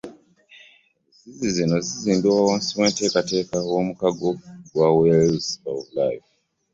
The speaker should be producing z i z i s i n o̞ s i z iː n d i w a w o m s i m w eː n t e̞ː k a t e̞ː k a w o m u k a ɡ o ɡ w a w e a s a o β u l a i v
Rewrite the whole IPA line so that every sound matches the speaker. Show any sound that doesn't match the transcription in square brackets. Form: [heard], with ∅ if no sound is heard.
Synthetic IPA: z i z i [z] i n o̞ [z] i z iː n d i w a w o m s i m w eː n t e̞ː k a t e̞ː k a w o m u k a ɡ o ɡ w a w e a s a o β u l a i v